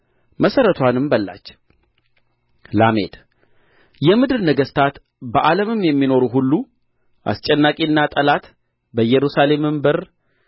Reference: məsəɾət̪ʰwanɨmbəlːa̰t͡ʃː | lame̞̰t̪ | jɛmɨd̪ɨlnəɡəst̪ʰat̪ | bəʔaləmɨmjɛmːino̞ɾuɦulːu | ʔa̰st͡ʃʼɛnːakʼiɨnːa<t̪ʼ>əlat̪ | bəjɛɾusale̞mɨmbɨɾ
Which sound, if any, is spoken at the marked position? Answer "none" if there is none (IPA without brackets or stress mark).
t̪ʼ